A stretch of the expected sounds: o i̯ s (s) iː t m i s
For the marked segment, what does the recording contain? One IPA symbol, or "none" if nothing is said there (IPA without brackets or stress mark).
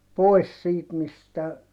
s